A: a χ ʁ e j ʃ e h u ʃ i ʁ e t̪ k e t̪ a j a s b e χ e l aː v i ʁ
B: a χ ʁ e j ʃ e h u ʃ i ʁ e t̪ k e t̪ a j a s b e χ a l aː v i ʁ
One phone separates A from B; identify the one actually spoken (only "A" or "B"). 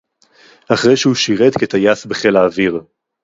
A